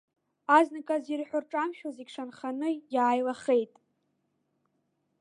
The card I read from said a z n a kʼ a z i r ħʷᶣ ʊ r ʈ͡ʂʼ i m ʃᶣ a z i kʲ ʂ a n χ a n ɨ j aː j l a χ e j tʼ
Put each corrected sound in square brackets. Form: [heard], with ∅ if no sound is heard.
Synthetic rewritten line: a z n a kʼ a z i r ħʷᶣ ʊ r ʈ͡ʂʼ [a] m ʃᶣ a z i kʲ ʂ a n χ a n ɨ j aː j l a χ e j tʼ